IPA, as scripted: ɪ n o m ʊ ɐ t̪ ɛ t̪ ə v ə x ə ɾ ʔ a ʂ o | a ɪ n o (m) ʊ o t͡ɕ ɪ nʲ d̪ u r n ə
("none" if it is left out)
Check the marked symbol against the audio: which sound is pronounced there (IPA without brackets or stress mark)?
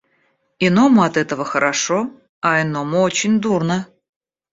m